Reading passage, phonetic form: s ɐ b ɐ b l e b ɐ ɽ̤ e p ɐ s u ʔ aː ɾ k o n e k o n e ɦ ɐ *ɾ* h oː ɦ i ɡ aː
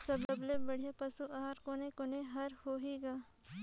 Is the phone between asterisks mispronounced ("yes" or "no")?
no